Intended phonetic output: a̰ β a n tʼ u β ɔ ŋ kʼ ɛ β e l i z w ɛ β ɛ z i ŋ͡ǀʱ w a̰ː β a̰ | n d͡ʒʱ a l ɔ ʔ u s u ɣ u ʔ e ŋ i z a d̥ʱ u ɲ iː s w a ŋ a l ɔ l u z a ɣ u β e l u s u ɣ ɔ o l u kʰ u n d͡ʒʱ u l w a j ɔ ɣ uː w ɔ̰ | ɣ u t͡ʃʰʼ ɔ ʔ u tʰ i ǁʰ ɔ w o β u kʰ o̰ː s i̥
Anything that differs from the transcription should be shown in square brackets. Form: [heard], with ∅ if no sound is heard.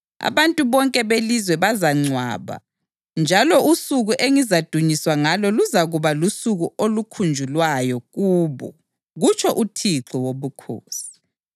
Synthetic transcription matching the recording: a̰ β a n tʼ u β ɔ ŋ kʼ ɛ β e l i z w ɛ β [a] z [a] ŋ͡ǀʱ w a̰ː β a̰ | n d͡ʒʱ a l ɔ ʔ u s u ɣ u ʔ e ŋ i z a d̥ʱ u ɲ [i] s w a ŋ a l ɔ l u z a ɣ u β [a] l u s u ɣ [u] o l u kʰ u n d͡ʒʱ u l w a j ɔ ɣ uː [β] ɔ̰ | ɣ u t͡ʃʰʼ ɔ ʔ u tʰ i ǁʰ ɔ w o β u kʰ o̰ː s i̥